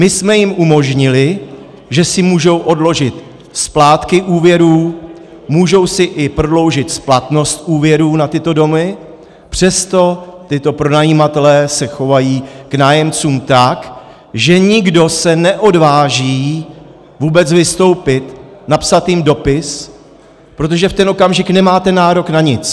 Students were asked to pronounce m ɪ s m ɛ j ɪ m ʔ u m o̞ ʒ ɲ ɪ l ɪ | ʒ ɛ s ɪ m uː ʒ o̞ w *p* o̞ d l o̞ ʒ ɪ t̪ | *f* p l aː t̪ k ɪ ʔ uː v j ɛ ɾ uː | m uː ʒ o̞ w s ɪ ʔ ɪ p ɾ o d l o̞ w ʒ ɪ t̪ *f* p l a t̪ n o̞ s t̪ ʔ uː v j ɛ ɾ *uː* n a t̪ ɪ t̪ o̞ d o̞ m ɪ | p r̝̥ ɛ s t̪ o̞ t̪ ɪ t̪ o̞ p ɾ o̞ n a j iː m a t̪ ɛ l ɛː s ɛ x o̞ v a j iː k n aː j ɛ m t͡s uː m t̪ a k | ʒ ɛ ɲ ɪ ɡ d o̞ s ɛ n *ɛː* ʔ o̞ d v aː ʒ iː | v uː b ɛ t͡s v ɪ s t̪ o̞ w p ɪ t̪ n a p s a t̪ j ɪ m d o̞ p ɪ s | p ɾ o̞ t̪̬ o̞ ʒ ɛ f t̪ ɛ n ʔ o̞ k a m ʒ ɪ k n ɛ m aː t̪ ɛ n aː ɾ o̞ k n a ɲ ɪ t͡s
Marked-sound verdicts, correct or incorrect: incorrect: ʔ, incorrect: s, incorrect: s, correct, incorrect: ɛ

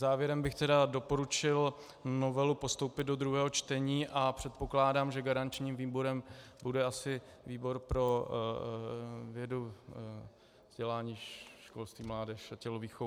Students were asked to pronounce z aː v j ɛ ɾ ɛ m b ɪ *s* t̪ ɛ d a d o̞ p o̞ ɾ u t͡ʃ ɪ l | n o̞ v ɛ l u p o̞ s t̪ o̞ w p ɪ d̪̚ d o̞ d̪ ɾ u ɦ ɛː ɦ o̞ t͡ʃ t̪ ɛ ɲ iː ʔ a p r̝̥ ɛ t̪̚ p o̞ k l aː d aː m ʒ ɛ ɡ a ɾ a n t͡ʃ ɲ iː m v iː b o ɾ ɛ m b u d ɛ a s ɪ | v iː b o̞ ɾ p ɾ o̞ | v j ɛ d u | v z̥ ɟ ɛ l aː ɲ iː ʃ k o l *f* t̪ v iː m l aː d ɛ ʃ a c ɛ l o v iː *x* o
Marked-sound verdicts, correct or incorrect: incorrect: x, incorrect: s, correct

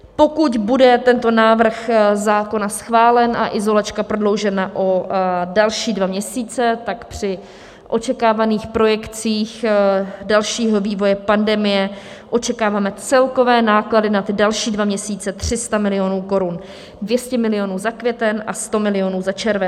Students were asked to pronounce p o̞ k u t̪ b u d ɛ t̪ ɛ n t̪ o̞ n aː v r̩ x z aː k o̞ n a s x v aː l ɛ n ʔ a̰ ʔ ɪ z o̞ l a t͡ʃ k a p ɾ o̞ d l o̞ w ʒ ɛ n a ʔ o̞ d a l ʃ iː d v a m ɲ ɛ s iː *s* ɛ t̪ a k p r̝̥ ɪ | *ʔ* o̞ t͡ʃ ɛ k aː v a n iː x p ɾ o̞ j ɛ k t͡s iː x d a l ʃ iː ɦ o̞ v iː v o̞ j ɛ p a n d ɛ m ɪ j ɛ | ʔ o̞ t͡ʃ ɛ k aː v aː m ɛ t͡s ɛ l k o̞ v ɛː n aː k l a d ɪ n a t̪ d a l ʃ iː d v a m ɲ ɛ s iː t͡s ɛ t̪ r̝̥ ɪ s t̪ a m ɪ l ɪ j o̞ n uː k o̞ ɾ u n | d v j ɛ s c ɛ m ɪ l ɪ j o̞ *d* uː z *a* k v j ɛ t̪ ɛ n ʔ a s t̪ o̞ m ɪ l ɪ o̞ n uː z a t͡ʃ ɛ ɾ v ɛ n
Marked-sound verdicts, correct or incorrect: incorrect: t͡s, correct, incorrect: n, correct

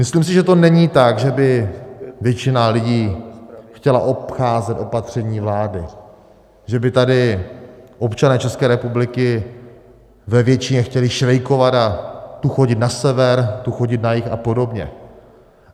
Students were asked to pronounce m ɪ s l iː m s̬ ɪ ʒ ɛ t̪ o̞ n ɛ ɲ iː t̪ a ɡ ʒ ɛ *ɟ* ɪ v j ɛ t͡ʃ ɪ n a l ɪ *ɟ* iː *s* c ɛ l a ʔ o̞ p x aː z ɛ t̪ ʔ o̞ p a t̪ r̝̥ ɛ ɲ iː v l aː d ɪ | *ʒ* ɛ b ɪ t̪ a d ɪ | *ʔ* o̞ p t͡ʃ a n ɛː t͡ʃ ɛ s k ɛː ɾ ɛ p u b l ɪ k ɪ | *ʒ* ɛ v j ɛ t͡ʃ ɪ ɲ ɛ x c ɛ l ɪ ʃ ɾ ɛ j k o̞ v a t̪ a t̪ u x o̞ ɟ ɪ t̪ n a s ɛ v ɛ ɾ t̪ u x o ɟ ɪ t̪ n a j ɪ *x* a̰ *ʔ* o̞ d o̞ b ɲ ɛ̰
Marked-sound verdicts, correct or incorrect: incorrect: b, correct, incorrect: x, correct, correct, incorrect: v, correct, incorrect: p

